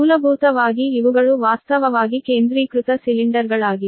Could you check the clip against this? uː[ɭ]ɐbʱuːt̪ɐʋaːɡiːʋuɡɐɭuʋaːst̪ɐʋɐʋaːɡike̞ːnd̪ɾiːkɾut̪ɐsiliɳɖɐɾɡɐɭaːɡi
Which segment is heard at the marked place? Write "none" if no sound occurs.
l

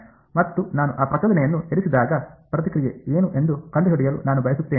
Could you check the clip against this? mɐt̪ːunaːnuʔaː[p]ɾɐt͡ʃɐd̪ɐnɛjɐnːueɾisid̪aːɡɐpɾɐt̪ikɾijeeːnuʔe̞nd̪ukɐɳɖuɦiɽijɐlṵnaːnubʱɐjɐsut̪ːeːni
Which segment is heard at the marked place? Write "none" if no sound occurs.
p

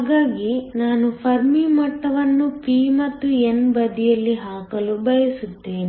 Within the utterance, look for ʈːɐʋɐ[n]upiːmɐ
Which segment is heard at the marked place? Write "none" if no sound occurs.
nː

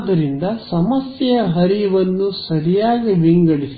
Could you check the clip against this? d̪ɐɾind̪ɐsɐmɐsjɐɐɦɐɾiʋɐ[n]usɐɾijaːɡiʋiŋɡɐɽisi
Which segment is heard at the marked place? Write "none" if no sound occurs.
nː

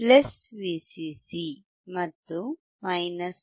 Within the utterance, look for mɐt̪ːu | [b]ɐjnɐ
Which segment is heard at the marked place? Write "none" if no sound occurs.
m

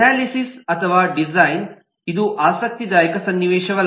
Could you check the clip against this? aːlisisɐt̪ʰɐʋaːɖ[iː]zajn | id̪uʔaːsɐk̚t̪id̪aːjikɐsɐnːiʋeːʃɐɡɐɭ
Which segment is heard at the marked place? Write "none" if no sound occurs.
i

